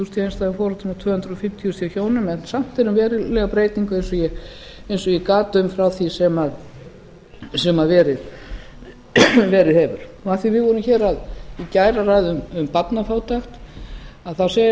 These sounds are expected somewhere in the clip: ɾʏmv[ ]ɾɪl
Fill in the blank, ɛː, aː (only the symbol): ɛː